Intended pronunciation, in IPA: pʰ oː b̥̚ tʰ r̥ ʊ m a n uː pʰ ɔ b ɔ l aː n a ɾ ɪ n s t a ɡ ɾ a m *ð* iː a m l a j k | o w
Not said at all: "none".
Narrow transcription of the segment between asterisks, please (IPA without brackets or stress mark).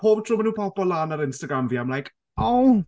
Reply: v